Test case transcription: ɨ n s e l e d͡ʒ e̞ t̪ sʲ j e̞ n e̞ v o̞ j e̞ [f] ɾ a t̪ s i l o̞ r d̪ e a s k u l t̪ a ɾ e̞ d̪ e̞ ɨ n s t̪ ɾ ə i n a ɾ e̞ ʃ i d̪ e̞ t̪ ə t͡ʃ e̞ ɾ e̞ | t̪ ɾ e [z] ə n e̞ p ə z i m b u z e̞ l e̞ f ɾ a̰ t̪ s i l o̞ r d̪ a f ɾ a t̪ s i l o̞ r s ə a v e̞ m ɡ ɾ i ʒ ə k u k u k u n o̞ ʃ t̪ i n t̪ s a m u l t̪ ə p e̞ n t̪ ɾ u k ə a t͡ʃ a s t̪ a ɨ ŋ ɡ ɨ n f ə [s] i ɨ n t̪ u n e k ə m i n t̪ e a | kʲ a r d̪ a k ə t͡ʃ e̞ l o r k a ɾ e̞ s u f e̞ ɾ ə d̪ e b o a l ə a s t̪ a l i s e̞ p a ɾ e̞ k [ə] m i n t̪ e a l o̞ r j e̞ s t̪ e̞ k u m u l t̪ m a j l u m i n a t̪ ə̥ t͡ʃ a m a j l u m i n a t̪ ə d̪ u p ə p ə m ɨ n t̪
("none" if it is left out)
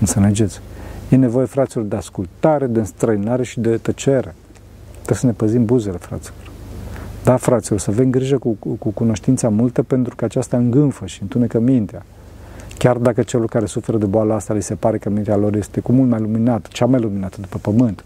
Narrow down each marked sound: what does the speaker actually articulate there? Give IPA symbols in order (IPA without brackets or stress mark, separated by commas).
f, s, ʃ, ə